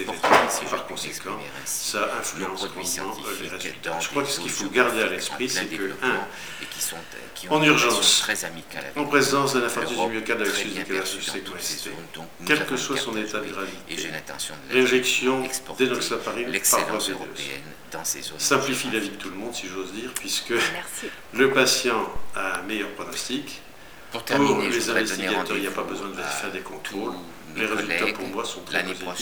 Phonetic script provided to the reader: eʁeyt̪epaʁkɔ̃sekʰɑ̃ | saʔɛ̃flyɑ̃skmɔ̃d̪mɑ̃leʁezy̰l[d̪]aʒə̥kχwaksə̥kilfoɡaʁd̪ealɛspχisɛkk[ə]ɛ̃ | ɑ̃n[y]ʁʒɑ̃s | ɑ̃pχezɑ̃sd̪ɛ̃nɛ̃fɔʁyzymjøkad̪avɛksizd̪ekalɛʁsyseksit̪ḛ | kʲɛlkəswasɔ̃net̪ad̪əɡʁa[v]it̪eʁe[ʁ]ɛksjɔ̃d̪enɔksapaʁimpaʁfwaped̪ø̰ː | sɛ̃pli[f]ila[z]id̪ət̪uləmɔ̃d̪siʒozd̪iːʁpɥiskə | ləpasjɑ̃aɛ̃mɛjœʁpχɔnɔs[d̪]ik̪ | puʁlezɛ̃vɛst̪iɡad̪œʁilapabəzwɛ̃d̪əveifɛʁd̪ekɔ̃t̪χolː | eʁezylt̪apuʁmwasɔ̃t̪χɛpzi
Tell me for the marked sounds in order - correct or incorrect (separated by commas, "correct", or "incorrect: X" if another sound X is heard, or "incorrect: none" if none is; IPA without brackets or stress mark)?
incorrect: t̪, correct, correct, correct, incorrect: ʒ, correct, incorrect: v, incorrect: t̪